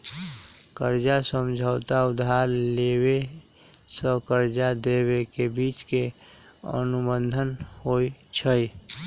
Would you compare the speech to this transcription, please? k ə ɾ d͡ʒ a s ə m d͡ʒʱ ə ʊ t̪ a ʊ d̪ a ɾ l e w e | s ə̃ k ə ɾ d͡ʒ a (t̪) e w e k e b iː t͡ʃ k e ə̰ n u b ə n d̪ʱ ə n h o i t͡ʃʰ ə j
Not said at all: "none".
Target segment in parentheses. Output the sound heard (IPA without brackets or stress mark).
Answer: d̪